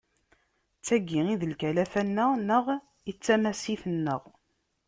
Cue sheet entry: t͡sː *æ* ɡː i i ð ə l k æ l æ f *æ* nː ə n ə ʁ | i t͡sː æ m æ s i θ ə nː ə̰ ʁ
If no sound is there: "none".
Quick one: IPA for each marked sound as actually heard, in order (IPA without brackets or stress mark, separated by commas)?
æ, æ